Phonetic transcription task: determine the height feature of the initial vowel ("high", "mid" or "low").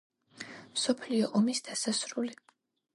mid